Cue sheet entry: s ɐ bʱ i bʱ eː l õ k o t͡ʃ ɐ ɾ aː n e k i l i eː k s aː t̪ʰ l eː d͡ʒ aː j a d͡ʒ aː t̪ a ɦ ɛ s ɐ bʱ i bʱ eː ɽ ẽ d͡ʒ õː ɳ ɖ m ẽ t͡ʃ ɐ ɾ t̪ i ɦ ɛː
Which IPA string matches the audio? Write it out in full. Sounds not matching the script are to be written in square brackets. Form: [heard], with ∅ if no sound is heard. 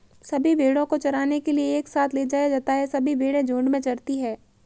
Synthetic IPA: s ɐ bʱ i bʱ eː [ɽ] õ k o t͡ʃ ɐ ɾ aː n e k [e] l i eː k s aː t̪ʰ l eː d͡ʒ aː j a d͡ʒ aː t̪ a ɦ ɛ s ɐ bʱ i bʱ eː ɽ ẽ d͡ʒ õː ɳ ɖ m ẽ t͡ʃ ɐ ɾ t̪ i ɦ ɛː